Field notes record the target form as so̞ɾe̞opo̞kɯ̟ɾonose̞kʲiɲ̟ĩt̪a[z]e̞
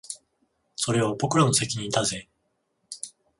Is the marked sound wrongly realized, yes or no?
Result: no